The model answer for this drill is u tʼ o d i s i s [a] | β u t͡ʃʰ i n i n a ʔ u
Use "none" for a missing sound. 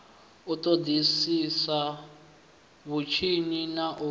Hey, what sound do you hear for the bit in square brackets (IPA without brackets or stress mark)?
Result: a